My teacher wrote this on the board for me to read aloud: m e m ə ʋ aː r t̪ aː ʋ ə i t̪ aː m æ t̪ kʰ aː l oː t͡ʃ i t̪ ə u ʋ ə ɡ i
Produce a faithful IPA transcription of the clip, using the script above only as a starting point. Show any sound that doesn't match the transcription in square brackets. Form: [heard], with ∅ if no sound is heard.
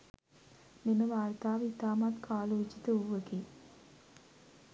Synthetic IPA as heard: m e m ə ʋ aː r t̪ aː ʋ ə i t̪ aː m [a] t̪ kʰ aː l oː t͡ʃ i t̪ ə u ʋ ə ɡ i

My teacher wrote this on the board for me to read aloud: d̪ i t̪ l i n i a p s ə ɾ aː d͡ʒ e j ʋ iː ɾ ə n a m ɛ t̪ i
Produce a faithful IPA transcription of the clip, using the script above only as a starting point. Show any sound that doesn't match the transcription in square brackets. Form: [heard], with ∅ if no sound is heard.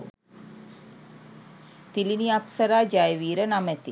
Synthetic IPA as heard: [t̪] i [∅] l i n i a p s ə ɾ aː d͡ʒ [a] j ʋ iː ɾ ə n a m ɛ t̪ i

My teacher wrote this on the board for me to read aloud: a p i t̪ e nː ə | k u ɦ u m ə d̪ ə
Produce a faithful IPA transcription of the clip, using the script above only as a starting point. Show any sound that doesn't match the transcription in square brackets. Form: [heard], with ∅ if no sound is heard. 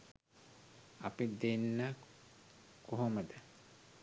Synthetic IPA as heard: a p i [d̪] e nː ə | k [o] ɦ [o] m ə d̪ ə

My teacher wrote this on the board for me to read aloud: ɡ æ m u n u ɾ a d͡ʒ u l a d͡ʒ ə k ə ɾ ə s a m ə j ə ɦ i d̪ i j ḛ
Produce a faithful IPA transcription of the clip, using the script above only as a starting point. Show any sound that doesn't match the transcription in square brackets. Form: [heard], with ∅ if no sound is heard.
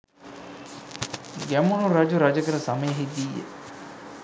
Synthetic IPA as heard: ɡ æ m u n u ɾ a d͡ʒ u [ɾ] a d͡ʒ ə k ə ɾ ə s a m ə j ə ɦ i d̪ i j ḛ

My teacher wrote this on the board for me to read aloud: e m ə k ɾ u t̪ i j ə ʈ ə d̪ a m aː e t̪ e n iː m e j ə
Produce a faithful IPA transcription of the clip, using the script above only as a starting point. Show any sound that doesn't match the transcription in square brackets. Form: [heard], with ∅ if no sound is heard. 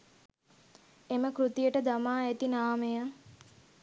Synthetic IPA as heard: e m ə k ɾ u t̪ i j ə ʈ ə d̪ a m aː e t̪ [i] n [aː] m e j ə

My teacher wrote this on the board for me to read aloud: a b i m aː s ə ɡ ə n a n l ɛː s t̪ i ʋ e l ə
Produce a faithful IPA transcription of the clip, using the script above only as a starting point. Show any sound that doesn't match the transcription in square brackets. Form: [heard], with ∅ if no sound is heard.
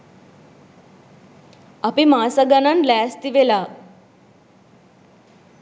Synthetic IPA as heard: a [p] i m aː s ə ɡ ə n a n l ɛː s t̪ i ʋ e l [a]

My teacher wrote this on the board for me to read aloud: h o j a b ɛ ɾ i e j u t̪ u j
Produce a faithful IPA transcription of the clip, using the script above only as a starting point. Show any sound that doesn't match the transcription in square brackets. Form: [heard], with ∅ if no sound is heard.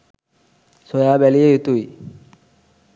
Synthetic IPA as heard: [s] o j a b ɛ [l] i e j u t̪ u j

